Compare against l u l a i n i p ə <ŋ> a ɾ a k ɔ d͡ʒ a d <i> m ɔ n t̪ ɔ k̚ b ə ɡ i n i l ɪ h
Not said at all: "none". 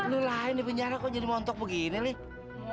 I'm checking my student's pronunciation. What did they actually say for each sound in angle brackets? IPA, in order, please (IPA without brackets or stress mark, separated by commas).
ɲ, i